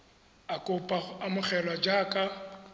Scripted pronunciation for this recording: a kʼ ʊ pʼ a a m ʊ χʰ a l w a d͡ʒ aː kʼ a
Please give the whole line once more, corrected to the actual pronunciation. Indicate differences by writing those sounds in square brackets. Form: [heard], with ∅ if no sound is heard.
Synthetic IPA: a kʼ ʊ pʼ a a m ʊ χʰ [ɛ] l w a d͡ʒ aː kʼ a